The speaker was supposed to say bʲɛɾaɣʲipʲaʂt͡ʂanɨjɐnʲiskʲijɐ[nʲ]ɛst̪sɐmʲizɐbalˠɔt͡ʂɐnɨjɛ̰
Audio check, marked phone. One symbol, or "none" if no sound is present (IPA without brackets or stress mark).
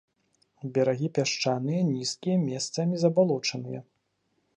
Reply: mʲ